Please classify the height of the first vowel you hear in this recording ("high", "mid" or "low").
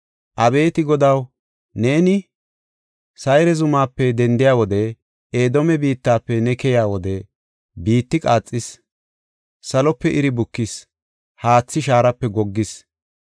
low